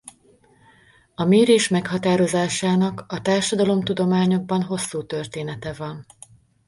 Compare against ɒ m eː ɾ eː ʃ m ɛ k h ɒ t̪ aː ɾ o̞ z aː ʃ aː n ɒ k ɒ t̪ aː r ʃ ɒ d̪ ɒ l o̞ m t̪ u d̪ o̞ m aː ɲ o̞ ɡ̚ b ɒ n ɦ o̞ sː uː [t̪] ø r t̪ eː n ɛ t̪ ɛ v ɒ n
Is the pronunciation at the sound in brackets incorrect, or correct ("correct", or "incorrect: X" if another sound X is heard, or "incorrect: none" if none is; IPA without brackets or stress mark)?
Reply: correct